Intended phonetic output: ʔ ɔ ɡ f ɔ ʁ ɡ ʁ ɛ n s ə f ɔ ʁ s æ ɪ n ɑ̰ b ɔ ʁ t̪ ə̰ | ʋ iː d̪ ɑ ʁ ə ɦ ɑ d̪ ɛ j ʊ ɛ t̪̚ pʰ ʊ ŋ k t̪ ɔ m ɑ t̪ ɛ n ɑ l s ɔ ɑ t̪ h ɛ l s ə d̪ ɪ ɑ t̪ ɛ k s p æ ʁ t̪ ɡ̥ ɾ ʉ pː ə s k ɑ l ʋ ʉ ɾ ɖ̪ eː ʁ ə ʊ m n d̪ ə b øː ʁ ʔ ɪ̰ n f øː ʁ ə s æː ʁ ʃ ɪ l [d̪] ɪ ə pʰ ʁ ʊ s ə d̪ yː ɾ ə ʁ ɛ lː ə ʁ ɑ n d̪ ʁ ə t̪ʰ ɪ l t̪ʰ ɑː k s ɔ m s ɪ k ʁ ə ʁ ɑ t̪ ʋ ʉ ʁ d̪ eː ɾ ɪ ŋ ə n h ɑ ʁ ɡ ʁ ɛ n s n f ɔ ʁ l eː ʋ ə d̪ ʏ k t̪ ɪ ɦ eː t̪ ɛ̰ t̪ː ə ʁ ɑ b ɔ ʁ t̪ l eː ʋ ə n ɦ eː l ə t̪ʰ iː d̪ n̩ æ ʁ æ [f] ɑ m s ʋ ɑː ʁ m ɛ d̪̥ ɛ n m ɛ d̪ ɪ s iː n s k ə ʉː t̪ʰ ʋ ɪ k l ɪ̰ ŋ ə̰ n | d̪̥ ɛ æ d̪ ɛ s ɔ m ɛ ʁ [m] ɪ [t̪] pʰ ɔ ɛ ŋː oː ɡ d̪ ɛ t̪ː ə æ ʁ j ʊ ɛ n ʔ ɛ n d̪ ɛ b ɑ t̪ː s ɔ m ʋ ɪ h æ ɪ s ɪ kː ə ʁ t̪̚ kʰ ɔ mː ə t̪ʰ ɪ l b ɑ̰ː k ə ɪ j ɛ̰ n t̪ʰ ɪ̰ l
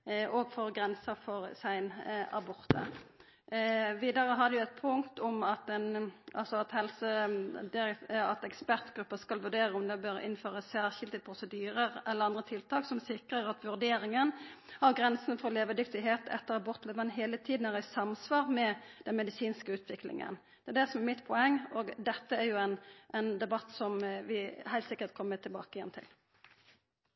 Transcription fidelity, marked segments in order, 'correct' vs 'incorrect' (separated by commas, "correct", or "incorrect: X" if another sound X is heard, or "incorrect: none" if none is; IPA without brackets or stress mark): correct, incorrect: s, correct, correct